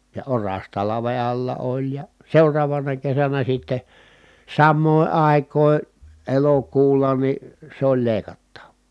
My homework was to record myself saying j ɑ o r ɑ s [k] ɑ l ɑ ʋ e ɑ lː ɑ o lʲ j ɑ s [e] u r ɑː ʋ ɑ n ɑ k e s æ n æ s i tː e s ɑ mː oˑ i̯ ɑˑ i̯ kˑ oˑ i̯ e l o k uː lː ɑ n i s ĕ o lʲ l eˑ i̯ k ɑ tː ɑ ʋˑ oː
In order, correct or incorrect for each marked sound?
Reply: incorrect: t, correct

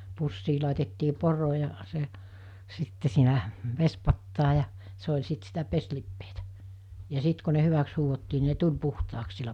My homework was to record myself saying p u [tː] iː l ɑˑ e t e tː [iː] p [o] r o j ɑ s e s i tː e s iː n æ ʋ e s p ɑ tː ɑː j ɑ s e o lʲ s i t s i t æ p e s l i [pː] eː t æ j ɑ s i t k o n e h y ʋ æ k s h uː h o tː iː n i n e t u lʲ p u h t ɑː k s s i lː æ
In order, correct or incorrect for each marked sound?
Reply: incorrect: sː, correct, correct, correct

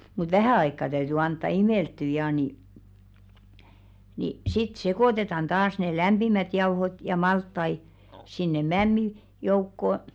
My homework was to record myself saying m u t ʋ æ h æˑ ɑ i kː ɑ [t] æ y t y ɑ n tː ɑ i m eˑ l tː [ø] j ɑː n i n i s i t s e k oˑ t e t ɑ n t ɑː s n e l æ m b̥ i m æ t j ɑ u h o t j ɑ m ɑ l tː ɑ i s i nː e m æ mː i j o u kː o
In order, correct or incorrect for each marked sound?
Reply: correct, incorrect: y

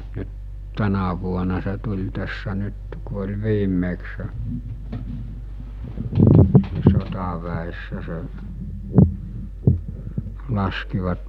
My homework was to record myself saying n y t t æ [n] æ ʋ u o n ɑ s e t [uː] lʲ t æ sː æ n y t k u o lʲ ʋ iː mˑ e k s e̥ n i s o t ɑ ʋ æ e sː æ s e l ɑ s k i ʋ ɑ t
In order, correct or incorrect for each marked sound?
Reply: correct, incorrect: u

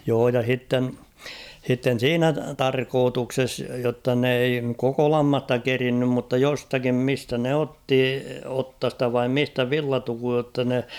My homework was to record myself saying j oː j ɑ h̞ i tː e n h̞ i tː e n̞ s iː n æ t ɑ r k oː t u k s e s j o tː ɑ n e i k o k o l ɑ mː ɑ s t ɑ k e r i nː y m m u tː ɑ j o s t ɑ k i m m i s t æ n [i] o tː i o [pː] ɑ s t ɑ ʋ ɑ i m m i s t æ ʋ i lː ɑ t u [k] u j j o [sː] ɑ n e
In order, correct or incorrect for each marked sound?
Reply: incorrect: e, incorrect: tː, correct, incorrect: tː

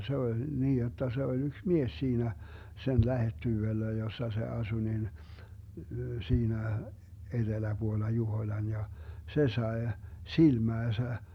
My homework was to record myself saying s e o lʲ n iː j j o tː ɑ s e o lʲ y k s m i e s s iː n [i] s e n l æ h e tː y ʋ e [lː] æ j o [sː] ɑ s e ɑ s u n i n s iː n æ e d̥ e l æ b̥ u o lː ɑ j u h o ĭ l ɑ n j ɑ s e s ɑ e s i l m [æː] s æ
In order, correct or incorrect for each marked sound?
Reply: incorrect: æ, correct, correct, correct

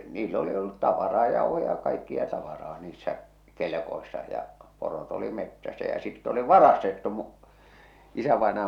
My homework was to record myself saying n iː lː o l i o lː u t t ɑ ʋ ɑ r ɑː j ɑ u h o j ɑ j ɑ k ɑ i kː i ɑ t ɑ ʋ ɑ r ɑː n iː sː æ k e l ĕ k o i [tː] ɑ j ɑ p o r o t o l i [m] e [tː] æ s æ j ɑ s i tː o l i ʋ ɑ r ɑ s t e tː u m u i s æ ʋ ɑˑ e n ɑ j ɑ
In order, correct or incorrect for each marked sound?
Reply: incorrect: sː, correct, correct

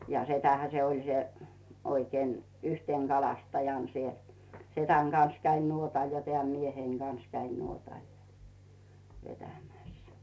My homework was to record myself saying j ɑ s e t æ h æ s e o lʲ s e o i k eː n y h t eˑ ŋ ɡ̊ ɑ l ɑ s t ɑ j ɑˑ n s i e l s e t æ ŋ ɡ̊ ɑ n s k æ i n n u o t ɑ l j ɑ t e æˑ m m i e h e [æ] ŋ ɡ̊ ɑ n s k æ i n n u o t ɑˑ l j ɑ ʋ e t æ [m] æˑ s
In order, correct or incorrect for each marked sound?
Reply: incorrect: i, correct

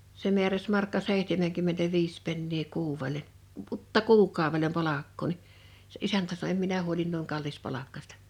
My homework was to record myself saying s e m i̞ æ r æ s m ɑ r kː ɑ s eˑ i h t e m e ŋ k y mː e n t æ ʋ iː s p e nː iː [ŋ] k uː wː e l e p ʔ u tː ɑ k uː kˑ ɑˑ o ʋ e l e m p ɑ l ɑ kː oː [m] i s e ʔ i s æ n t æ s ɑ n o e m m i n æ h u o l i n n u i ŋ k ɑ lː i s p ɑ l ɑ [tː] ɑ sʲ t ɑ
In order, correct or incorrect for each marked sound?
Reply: incorrect: none, incorrect: n, incorrect: kː

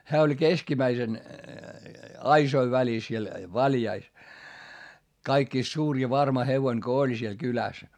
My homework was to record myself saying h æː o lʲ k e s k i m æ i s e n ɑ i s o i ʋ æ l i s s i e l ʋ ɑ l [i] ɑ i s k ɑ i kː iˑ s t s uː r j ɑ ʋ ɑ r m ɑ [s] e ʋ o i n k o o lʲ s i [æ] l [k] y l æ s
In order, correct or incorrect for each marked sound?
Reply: incorrect: j, incorrect: h, incorrect: e, correct

